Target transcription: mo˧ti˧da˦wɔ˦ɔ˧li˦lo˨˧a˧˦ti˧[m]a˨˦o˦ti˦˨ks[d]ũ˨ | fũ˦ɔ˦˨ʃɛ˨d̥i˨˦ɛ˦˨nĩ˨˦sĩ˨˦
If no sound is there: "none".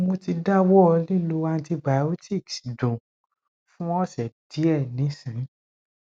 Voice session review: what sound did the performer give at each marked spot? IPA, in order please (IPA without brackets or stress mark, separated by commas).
b, d